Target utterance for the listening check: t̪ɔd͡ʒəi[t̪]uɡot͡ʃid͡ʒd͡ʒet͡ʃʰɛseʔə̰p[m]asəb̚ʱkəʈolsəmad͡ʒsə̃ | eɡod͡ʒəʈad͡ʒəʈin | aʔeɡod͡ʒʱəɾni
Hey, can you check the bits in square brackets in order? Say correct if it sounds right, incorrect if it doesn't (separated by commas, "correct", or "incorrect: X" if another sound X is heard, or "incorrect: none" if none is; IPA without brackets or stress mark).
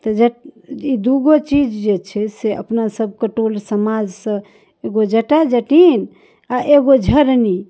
incorrect: d̪, incorrect: n